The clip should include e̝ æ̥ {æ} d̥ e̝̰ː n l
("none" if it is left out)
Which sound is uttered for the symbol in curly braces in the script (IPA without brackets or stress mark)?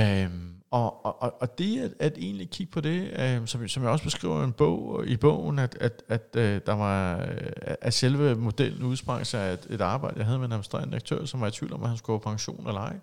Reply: æ